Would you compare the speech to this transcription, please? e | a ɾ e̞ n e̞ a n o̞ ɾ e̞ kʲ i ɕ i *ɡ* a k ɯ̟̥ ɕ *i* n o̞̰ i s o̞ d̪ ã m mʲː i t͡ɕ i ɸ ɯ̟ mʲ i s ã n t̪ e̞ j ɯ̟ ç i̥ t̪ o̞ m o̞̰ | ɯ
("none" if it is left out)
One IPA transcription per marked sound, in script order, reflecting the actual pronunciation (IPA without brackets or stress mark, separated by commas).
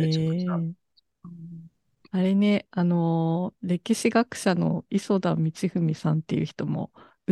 ɡ, a